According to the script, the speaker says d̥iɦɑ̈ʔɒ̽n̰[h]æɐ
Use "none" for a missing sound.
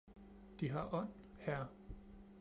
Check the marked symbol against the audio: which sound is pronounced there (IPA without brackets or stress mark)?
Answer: h